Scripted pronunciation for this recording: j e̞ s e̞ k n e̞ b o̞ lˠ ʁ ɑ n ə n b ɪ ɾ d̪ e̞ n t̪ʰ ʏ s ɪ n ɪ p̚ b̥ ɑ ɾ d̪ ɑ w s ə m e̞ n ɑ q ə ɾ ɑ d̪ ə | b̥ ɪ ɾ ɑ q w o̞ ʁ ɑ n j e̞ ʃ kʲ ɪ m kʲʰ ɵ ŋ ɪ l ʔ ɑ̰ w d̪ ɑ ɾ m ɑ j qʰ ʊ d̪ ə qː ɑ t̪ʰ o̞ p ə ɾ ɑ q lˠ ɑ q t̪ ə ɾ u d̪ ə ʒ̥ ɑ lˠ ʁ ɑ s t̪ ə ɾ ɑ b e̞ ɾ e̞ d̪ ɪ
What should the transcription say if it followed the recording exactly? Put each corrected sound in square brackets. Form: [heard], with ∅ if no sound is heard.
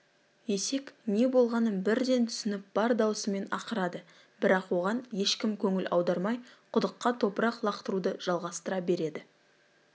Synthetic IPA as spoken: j e̞ s e̞ k n e̞ b o̞ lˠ ʁ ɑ n ə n b ɪ ɾ d̪ e̞ n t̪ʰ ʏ s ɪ n ɪ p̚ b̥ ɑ ɾ d̪ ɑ w s ə m e̞ n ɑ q ə ɾ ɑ d̪ ə | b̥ ɪ ɾ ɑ q w o̞ ʁ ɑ n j e̞ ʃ kʲ ɪ m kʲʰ ɵ ŋ ɪ l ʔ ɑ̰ w d̪ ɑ ɾ m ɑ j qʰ ʊ d̪ ə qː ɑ t̪ʰ o̞ p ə ɾ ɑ q lˠ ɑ q t̪ ə ɾ u d̪ ə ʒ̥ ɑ lˠ ʁ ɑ s t̪ ə ɾ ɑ b e̞ ɾ e̞ d̪ ɪ